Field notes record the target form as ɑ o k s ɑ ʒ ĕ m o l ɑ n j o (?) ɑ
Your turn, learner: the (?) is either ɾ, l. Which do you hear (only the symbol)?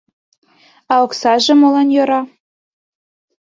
ɾ